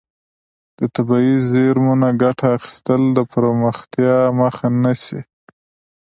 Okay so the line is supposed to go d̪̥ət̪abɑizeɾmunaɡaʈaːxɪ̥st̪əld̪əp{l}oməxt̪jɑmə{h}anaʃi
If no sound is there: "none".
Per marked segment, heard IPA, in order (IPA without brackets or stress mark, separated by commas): ɾ, x